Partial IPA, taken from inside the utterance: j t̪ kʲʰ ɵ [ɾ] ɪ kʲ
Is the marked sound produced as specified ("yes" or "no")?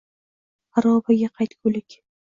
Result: no